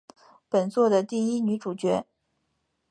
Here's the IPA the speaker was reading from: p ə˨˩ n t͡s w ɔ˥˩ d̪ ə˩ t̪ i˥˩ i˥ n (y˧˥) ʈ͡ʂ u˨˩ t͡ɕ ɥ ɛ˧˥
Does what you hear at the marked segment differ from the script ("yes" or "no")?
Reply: no